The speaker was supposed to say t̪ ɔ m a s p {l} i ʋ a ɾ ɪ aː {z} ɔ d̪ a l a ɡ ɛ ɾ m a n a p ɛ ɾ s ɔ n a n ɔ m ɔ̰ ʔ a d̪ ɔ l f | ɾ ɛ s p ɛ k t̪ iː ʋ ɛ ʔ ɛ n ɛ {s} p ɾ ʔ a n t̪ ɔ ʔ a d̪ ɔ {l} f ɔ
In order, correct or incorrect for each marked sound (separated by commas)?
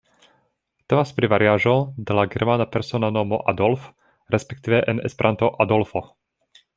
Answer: incorrect, incorrect, correct, correct